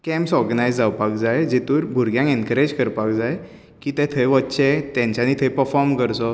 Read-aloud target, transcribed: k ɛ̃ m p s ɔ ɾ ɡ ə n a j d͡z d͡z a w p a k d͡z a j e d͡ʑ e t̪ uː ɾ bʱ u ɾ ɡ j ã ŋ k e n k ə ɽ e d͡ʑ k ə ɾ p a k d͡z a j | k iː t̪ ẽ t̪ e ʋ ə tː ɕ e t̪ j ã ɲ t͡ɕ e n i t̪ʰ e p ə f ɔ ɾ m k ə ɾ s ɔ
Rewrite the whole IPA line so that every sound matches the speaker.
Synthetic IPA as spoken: k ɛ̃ m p s ɔ ɾ ɡ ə n a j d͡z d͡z a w p a k d͡z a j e d͡ʑ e t̪ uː ɾ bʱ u ɾ ɡ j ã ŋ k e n k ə ɾ e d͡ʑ k ə ɾ p a k d͡z a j | k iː t̪ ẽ t̪ʰ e ʋ ə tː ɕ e t̪ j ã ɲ t͡ɕ a n i t̪ʰ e p ə f ɔ ɾ m k ə ɾ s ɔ